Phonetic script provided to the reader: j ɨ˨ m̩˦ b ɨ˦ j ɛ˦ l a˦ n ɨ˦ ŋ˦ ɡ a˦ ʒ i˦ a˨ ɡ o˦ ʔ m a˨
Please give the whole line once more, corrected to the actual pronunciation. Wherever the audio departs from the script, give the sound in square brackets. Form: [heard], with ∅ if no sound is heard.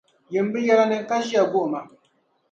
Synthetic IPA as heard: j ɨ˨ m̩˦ b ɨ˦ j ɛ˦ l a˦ n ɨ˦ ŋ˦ [k] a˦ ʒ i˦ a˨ ɡ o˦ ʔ m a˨